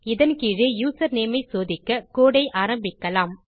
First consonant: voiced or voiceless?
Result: voiced